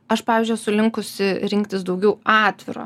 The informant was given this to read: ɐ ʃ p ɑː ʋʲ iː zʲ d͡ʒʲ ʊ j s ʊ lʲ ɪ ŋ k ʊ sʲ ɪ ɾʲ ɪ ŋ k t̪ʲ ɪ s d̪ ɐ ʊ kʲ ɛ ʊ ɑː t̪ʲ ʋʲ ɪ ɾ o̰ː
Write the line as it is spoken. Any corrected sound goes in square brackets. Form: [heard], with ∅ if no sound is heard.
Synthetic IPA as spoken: ɐ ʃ p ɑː ʋʲ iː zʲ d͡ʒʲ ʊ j s ʊ lʲ ɪ ŋ k ʊ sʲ ɪ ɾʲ ɪ ŋ k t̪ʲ ɪ s d̪ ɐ ʊ [ɡʲ] ɛ ʊ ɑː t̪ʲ ʋʲ ɪ ɾ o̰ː